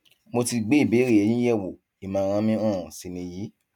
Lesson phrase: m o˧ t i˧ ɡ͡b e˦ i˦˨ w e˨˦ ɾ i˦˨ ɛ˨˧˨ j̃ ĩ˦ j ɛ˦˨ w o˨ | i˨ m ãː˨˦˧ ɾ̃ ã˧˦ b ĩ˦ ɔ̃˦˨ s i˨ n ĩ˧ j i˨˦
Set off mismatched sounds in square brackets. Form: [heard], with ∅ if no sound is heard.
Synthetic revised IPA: m o˧ t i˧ ɡ͡b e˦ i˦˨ [b] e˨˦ ɾ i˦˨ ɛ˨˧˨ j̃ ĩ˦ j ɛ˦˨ w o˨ | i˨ m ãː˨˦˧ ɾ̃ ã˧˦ [m] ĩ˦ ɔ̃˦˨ s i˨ n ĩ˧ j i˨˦